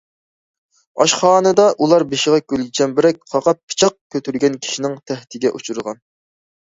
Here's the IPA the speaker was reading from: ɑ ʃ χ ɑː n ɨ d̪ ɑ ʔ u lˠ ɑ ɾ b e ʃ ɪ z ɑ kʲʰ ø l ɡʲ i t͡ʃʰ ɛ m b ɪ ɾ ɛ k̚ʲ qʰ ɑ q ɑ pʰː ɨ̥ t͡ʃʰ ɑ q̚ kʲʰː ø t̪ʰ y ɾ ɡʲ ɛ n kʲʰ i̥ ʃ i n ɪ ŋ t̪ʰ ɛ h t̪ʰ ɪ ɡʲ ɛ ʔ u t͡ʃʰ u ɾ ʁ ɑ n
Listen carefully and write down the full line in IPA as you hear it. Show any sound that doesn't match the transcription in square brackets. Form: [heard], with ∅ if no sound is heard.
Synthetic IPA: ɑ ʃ χ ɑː n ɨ d̪ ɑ ʔ u lˠ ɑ ɾ b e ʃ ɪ [ʁ] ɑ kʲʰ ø l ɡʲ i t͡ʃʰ ɛ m b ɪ ɾ ɛ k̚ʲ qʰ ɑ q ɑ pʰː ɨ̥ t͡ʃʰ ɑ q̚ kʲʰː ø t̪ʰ y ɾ ɡʲ ɛ n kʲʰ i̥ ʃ i n ɪ ŋ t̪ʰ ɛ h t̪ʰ ɪ ɡʲ ɛ ʔ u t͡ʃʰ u ɾ ʁ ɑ n

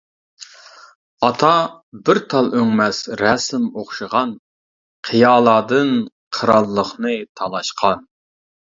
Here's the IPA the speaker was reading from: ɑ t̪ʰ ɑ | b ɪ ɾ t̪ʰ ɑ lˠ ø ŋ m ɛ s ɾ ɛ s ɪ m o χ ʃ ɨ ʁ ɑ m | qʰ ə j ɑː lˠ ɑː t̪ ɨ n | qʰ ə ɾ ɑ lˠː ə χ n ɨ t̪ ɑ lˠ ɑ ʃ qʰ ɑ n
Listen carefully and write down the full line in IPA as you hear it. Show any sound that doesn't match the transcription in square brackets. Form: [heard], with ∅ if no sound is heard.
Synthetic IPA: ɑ t̪ʰ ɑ | b ɪ ɾ t̪ʰ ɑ lˠ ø ŋ m ɛ s ɾ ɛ s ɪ m o χ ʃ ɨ ʁ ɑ [n] | qʰ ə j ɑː lˠ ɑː [d̪] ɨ n | qʰ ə ɾ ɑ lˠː ə χ n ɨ [t̪ʰ] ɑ lˠ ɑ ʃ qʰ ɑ n

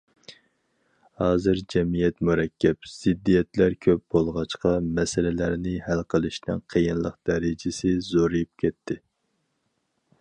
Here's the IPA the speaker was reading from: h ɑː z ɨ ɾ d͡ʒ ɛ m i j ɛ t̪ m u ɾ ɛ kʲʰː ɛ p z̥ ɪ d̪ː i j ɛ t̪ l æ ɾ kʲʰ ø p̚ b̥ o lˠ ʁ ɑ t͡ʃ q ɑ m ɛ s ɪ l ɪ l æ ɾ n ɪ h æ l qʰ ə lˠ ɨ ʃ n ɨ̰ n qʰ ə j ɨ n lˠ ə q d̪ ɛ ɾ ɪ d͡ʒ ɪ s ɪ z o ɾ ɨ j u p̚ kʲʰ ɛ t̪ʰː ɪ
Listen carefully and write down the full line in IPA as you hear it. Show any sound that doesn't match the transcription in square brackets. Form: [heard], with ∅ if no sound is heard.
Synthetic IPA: h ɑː z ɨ ɾ d͡ʒ ɛ m i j ɛ t̪ m u ɾ ɛ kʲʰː ɛ p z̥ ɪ d̪ː i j ɛ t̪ l æ ɾ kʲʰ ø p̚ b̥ o lˠ ʁ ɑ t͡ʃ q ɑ m ɛ s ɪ l ɪ l æ ɾ n ɪ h æ l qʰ ə lˠ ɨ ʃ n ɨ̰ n qʰ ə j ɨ n lˠ ə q d̪ ɛ ɾ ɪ d͡ʒ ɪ s ɪ z o ɾ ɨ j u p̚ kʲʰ ɛ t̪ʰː ɪ

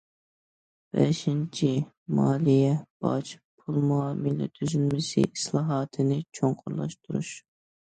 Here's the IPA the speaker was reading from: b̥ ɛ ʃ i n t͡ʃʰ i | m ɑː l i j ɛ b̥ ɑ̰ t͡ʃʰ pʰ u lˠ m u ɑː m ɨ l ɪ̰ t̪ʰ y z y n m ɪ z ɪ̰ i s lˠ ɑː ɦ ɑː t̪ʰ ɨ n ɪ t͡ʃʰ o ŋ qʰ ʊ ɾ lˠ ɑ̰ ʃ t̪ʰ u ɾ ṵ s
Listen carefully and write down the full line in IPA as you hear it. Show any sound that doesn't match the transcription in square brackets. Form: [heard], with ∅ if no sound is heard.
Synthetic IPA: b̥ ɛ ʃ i n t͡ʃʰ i | m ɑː l i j ɛ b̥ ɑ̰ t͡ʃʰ pʰ u lˠ m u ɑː m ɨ l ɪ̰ t̪ʰ y z y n m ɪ [s] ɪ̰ i s lˠ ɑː ɦ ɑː t̪ʰ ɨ n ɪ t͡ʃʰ o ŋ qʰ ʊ ɾ lˠ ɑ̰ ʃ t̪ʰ u ɾ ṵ [ʃ]

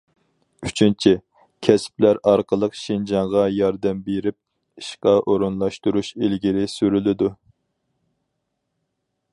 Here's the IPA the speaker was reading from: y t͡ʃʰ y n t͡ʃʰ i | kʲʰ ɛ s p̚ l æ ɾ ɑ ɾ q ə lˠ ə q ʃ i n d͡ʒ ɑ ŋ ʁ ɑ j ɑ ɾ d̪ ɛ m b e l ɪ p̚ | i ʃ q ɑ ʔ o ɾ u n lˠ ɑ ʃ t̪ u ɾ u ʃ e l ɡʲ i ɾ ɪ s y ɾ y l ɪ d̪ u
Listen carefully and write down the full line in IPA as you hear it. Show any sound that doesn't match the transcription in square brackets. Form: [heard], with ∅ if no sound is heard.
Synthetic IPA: y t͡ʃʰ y n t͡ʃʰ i | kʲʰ ɛ s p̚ l æ ɾ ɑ ɾ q ə lˠ ə q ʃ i n d͡ʒ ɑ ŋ ʁ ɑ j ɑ ɾ d̪ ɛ m b e [ɾ] ɪ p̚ | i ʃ q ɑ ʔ o ɾ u n lˠ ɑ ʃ t̪ u ɾ u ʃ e l ɡʲ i ɾ ɪ s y ɾ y l ɪ d̪ u

